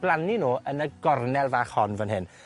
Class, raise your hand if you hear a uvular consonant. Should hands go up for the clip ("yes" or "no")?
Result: yes